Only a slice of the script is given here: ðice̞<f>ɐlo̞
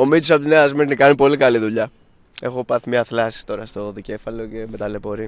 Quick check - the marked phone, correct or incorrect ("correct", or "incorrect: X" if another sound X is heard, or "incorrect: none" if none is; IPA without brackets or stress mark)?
correct